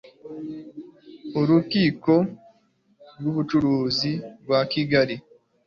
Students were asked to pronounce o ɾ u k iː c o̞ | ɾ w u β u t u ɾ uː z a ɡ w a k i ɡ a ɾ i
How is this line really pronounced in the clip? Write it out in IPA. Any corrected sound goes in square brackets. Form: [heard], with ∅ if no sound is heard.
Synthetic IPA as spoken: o ɾ u k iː [k] o̞ | ɾ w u β u [t͡ʃ] u ɾ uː z [i] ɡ w a k i ɡ a ɾ i